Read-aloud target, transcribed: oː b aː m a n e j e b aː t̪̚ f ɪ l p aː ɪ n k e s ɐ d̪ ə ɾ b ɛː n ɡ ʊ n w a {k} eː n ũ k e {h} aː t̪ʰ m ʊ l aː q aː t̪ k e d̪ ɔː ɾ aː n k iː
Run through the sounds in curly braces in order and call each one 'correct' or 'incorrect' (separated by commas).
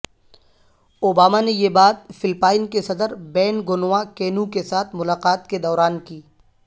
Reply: correct, incorrect